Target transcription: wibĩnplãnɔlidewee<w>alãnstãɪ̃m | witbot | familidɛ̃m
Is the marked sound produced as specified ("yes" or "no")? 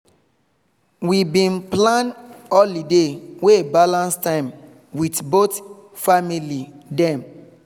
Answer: no